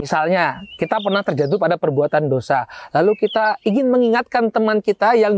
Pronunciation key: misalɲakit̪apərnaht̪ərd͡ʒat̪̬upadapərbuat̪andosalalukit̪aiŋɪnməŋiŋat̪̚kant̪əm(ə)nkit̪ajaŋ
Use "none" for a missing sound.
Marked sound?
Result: a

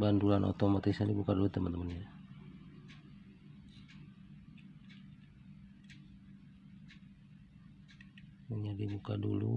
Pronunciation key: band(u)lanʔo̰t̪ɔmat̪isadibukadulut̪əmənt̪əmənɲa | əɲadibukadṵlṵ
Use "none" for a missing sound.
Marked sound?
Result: u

